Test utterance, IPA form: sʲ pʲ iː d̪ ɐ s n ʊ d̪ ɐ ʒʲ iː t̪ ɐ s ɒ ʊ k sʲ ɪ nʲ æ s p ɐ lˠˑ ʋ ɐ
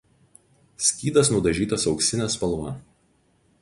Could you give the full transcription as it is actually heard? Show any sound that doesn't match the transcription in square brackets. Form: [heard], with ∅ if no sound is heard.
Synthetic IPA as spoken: sʲ [kʲ] iː d̪ ɐ s n ʊ d̪ ɐ ʒʲ iː t̪ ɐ s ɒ ʊ k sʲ ɪ nʲ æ s p ɐ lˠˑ ʋ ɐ